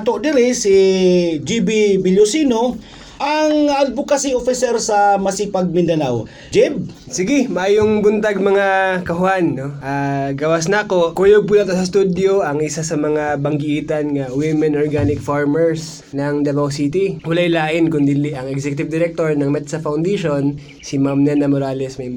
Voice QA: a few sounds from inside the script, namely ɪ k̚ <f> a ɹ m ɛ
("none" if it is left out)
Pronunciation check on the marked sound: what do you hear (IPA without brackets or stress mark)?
f